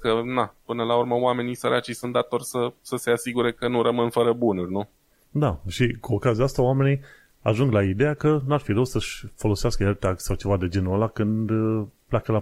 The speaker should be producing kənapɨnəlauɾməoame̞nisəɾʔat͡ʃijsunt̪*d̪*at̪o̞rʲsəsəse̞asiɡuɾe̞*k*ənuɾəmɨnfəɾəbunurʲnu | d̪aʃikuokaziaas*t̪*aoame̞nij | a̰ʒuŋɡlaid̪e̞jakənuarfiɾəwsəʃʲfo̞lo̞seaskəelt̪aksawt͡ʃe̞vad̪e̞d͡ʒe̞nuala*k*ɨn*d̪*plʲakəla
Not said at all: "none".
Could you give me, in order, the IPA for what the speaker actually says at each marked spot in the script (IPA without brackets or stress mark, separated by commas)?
d̪, k, t̪, k, d̪